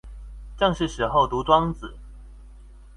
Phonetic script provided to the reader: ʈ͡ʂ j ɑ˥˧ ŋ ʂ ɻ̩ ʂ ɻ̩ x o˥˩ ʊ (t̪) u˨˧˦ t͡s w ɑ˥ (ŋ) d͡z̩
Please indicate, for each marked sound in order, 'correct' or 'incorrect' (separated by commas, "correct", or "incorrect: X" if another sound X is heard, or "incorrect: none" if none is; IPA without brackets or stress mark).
correct, correct